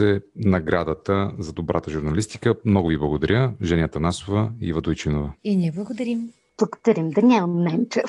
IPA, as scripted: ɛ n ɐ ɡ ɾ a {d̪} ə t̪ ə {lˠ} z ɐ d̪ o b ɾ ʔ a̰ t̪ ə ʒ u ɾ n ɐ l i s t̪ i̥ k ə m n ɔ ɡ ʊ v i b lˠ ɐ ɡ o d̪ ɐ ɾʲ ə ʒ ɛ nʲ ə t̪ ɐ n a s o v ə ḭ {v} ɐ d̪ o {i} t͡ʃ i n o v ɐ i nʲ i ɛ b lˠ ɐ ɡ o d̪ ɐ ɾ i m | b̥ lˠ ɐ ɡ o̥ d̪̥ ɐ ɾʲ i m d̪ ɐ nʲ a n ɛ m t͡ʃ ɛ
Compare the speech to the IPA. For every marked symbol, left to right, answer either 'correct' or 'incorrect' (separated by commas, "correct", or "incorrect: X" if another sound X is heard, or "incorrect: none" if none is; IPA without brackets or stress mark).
correct, incorrect: none, correct, incorrect: j